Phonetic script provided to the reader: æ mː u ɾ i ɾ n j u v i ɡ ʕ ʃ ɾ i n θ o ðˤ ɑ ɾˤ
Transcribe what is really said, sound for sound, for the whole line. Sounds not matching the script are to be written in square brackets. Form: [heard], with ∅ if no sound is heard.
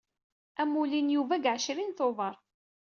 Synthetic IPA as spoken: æ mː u [l] i [∅] n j u v [æ] ɡ ʕ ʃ ɾ i n θ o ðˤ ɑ ɾˤ